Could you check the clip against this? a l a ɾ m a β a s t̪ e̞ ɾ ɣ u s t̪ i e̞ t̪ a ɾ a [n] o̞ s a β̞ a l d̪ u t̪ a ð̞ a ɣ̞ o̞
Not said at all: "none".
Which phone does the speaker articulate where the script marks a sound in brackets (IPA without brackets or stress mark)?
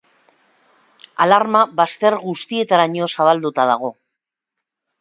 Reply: ɲ